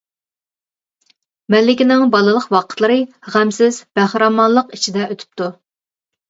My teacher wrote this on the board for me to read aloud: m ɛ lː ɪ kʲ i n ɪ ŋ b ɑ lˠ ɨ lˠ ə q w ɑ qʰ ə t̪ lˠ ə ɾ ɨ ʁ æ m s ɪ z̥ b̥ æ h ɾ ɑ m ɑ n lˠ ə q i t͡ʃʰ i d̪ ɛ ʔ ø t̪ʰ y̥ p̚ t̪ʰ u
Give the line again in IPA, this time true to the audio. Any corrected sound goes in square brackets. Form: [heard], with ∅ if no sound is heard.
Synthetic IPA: m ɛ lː ɪ kʲ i n ɪ ŋ b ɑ lˠ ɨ lˠ ə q w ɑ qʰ ə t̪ lˠ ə ɾ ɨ ʁ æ m s ɪ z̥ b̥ æ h ɾ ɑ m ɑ n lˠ ə q i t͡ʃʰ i d̪ ɛ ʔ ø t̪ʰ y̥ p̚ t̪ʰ u